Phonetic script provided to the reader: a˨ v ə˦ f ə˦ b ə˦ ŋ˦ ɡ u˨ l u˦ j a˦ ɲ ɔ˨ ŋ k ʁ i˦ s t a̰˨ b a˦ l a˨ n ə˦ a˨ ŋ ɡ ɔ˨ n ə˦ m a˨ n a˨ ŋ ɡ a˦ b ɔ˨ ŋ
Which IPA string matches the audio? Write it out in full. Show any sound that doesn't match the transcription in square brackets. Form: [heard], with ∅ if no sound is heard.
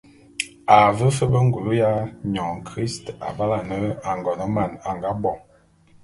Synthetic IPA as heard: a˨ v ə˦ f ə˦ b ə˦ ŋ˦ ɡ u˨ l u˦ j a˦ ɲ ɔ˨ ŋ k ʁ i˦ s t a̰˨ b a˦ l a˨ n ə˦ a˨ ŋ ɡ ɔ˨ n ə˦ m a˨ n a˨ ŋ ɡ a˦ b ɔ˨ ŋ